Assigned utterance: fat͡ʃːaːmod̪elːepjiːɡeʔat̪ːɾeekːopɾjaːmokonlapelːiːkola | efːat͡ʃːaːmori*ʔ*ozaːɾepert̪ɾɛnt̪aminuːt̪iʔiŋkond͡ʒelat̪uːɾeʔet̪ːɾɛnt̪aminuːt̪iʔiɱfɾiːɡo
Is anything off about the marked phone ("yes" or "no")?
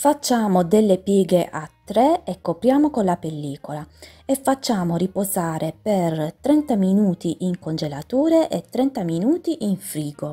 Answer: yes